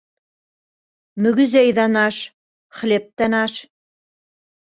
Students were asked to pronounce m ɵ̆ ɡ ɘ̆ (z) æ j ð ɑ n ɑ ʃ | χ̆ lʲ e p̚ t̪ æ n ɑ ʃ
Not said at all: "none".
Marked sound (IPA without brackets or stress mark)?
z